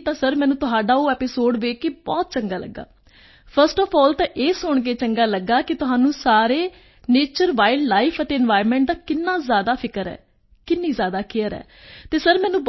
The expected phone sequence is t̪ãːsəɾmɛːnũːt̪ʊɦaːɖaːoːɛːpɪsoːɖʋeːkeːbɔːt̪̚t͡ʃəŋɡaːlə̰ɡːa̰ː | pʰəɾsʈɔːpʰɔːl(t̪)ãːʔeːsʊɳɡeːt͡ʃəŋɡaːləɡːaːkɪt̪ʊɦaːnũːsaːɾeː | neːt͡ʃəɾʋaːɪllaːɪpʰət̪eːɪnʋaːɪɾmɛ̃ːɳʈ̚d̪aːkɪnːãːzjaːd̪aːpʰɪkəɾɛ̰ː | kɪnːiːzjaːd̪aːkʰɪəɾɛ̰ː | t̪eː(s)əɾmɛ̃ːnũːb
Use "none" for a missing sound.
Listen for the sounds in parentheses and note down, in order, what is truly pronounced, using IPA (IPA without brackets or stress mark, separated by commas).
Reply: t̪, s